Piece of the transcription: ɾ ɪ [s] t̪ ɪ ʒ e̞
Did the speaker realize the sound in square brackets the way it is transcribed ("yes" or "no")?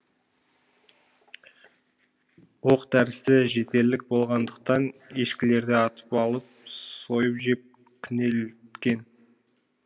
yes